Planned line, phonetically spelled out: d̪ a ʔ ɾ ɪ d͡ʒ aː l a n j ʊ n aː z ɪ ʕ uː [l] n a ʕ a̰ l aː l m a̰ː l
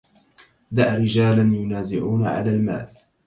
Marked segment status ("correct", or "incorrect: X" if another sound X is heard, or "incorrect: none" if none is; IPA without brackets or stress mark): incorrect: none